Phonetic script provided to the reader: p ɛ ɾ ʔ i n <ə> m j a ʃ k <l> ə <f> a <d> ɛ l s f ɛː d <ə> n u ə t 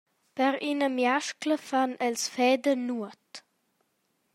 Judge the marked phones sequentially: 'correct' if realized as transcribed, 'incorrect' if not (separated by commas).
correct, correct, correct, incorrect, correct